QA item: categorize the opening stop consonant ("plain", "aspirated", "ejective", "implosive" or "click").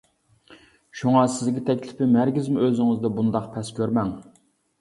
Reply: plain